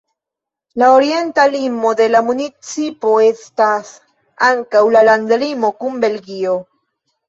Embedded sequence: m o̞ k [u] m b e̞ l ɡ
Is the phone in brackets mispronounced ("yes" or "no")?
no